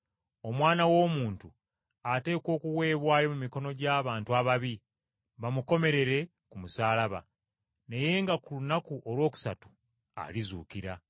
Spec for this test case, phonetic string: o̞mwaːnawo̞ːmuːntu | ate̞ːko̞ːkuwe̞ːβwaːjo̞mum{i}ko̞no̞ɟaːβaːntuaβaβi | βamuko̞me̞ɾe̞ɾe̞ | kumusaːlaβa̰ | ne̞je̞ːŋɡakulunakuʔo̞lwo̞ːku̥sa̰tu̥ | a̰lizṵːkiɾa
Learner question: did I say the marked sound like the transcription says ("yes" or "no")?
yes